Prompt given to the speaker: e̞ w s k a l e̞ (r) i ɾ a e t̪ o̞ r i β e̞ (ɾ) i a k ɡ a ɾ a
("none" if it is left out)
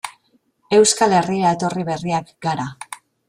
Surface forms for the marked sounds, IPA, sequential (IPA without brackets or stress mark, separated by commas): r, r